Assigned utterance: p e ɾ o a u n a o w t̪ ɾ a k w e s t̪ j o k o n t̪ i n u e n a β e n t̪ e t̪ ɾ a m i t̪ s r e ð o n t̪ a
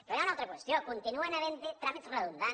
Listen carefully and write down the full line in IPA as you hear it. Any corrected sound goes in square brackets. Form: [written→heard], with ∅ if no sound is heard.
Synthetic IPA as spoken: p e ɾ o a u n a o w t̪ ɾ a k w e s t̪ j o k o n t̪ i n u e n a β e n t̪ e t̪ ɾ a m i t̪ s r e ð [o→u] n [t̪→d̪] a